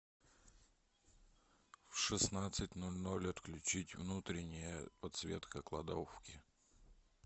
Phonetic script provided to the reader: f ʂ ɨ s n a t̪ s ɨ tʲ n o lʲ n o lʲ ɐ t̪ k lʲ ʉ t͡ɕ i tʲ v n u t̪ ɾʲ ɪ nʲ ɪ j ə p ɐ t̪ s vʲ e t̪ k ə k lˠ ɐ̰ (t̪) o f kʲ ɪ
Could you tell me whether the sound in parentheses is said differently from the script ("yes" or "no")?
yes